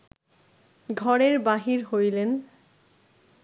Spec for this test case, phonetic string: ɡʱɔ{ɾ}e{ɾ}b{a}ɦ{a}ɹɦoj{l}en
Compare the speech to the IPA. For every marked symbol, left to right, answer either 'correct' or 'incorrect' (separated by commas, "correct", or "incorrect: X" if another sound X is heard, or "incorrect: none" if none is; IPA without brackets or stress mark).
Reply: incorrect: ɹ, incorrect: ɹ, correct, incorrect: i, correct